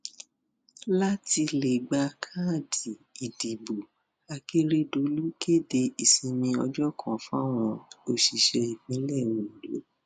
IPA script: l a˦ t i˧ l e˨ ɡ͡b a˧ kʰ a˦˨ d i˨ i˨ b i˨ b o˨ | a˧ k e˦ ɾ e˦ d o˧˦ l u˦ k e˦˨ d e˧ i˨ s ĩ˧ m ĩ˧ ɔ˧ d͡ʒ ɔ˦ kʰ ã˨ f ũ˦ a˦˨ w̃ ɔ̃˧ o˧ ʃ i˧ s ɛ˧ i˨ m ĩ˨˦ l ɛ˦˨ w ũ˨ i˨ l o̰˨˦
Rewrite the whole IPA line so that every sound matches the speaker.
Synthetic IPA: l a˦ t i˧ l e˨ ɡ͡b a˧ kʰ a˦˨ d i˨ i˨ d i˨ b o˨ | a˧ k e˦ ɾ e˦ d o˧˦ l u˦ k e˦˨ d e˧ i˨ s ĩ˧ m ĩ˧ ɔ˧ d͡ʒ ɔ˦ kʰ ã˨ f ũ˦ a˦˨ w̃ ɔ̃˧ o˧ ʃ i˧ ʃ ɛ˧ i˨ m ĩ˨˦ l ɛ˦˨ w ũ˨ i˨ l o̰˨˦